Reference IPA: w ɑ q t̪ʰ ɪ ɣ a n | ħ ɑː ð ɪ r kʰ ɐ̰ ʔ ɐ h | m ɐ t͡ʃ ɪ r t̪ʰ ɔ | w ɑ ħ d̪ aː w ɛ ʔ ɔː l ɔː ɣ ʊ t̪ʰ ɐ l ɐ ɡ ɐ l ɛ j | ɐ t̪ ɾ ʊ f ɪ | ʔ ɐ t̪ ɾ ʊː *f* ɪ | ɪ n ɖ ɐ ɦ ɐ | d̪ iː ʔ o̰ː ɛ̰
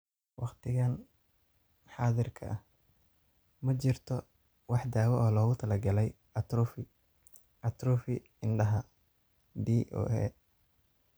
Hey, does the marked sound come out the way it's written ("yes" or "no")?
yes